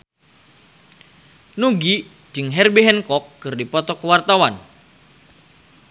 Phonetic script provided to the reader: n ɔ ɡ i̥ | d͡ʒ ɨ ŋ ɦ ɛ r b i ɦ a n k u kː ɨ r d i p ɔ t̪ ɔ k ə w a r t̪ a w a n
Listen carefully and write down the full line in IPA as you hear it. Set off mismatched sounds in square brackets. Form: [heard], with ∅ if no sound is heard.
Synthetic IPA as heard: n [u] ɡ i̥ | d͡ʒ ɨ ŋ ɦ ɛ r b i ɦ [ɛ] n k [ɔ] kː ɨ r d i p ɔ t̪ ɔ k ə w a r t̪ a w a n